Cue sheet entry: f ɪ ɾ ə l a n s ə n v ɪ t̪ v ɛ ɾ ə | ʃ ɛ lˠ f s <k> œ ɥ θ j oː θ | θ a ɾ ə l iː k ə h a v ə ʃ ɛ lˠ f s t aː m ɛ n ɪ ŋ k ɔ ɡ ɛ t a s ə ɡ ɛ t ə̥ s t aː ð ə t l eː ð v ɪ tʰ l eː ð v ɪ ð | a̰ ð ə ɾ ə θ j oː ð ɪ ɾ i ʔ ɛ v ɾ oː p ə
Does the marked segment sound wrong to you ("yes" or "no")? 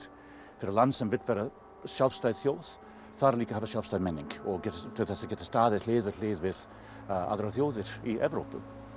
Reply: yes